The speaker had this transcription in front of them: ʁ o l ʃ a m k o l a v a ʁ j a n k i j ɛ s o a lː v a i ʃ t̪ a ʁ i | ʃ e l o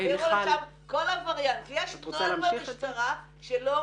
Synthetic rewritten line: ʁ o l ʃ a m k o l a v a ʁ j a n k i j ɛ ʃ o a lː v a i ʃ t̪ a ʁ a | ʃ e l o